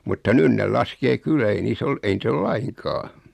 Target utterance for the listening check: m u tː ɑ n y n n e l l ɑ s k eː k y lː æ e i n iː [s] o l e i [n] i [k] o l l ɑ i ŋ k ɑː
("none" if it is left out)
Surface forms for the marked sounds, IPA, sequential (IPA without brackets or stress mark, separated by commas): s, n, t